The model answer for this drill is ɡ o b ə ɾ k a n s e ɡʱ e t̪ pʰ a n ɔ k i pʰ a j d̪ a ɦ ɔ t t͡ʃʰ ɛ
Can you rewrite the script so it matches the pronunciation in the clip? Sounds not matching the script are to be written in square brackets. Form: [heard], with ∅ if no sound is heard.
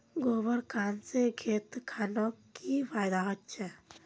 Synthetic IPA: ɡ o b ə ɾ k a n s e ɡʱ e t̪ [kʰ] a n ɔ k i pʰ a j d̪ a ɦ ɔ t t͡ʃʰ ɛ